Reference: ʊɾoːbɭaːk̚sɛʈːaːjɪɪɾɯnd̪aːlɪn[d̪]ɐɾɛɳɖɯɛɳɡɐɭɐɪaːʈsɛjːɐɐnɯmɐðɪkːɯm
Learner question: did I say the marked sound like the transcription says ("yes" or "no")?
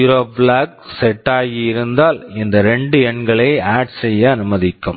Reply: yes